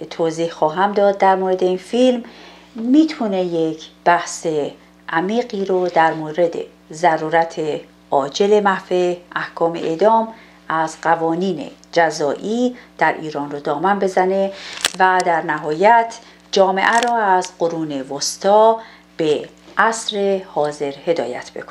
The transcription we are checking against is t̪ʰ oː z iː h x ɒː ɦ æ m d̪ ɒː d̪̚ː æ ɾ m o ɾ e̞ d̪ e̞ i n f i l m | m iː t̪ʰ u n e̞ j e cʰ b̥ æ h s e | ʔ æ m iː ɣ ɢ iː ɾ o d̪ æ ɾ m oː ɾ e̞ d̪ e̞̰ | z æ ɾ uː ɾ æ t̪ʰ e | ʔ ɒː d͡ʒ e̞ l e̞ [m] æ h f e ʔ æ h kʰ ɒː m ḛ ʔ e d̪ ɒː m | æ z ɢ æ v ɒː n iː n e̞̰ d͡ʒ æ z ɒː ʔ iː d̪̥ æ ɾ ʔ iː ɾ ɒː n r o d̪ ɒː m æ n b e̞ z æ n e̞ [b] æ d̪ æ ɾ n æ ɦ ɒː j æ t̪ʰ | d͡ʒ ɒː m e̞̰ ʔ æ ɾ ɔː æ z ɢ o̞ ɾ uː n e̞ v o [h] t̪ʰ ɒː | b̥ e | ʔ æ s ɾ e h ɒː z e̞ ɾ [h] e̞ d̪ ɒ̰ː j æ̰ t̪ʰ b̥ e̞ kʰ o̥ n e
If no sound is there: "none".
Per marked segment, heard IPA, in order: m, v, s, h

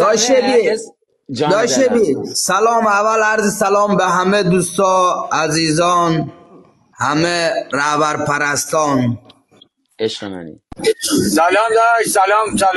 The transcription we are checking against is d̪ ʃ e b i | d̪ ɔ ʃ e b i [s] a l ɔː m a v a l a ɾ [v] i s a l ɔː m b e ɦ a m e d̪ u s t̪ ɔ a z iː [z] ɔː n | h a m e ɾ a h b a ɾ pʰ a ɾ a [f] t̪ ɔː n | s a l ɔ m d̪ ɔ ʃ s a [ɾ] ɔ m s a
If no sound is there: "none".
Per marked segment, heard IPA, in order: s, z, z, s, l

